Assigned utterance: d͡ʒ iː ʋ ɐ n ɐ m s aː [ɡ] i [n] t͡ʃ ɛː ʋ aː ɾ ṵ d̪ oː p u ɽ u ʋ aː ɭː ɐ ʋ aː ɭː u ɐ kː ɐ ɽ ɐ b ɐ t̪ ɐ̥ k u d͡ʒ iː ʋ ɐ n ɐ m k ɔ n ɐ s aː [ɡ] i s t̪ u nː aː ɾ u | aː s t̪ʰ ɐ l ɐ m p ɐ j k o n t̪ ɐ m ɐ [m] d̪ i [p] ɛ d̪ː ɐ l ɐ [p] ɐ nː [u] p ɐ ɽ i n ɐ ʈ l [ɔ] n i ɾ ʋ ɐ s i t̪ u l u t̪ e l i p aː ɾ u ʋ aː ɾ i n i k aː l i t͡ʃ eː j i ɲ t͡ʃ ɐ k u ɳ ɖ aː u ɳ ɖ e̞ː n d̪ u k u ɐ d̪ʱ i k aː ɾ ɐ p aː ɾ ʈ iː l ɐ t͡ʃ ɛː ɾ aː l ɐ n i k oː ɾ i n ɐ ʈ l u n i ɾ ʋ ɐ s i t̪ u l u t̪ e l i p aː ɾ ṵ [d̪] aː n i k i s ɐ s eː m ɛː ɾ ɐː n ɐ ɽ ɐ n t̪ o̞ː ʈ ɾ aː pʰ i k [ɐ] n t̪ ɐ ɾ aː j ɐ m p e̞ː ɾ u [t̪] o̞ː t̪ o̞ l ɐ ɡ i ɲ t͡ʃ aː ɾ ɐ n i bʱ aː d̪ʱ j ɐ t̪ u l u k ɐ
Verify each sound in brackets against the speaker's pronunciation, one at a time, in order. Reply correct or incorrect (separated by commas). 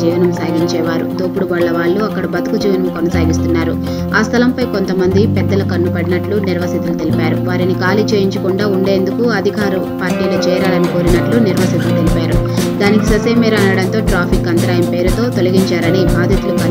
correct, incorrect, correct, incorrect, correct, incorrect, correct, incorrect, correct, correct, correct